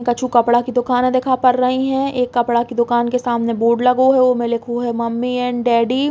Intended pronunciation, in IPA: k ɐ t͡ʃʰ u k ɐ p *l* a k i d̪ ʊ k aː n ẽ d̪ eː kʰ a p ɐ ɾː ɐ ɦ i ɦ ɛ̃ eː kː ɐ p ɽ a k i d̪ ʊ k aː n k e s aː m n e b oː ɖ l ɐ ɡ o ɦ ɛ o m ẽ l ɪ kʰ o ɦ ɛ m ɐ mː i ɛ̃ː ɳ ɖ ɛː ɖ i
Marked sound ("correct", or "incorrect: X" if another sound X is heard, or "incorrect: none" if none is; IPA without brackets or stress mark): incorrect: ɽ